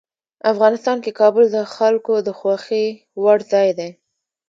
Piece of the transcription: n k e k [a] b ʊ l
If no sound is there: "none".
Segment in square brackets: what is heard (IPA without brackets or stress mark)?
ɑ